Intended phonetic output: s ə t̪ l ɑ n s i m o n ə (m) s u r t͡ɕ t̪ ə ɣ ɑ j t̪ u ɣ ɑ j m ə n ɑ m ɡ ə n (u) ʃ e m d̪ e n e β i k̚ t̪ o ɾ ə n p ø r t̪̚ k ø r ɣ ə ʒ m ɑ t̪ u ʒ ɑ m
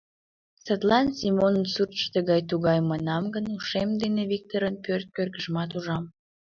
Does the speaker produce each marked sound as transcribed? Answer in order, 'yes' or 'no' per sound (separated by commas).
no, yes